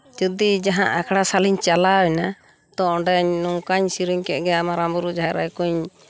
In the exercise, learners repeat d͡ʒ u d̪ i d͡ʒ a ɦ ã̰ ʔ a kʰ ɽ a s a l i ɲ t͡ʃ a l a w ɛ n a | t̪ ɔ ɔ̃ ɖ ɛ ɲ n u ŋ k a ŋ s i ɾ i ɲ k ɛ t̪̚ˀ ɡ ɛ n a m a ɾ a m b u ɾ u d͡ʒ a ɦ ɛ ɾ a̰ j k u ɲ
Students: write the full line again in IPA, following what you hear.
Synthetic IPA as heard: d͡ʒ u d̪ i d͡ʒ a ɦ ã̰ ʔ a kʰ ɽ a s a l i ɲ t͡ʃ a l a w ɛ n a | t̪ ɔ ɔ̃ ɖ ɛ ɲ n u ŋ k a ɲ s i ɾ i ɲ k ɛ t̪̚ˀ ɡ ɛ a m a ɾ a m b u ɾ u d͡ʒ a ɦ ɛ ɾ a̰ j k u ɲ